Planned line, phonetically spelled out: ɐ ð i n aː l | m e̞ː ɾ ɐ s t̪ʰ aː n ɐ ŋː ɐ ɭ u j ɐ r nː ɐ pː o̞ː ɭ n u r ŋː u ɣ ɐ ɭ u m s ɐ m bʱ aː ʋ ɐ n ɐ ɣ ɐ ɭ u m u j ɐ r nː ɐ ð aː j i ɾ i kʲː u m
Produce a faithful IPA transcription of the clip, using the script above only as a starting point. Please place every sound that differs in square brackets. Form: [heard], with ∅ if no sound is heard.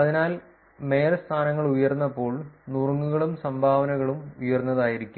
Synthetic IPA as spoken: ɐ ð i n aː l | m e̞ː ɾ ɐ s t̪ʰ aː n ɐ ŋː ɐ ɭ u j ɐ r nː ɐ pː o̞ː ɭ n u r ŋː u ɣ ɐ ɭ u m s ɐ m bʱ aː ʋ ɐ n ɐ ɣ ɐ ɭ u m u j ɐ r nː ɐ ð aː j i ɾ i kʲː u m